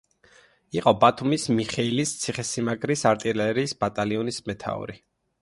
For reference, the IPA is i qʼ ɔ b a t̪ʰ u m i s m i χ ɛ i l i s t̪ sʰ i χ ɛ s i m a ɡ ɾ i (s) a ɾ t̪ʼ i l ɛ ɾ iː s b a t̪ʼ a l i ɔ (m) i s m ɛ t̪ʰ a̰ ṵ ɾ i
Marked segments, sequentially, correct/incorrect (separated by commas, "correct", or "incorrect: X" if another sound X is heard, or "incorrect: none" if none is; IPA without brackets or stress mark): correct, incorrect: n